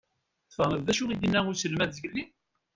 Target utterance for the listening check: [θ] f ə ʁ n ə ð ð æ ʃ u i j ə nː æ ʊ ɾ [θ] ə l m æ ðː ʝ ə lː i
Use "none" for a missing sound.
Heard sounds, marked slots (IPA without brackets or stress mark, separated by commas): θ, s